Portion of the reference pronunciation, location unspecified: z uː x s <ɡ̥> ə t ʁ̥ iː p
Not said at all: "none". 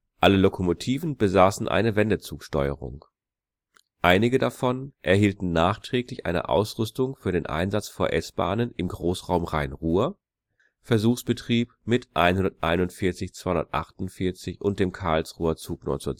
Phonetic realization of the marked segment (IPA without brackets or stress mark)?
b̥